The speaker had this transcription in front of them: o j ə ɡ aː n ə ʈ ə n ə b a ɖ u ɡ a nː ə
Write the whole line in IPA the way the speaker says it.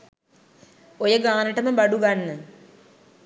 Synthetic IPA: o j ə ɡ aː n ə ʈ ə m ə b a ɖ u ɡ a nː ə